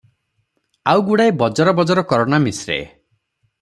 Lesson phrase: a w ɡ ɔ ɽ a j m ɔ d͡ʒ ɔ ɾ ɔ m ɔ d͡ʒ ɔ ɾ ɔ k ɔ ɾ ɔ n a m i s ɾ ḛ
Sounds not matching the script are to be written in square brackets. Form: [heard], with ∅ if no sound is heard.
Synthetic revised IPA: a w ɡ [u] ɽ a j [b] ɔ d͡ʒ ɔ ɾ ɔ [b] ɔ d͡ʒ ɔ ɾ ɔ k ɔ ɾ ɔ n a m i s ɾ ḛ